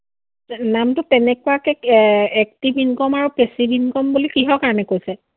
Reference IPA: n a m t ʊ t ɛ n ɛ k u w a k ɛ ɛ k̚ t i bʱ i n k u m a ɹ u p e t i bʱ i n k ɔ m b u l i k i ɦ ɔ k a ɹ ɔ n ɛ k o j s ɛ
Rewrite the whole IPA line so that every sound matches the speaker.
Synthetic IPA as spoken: n a m t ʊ t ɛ n ɛ k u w a k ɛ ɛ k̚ t i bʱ i n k ɔ m a ɹ u p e s i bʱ i n k ɔ m b u l i k i ɦ ɔ k a ɹ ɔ n ɛ k o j s ɛ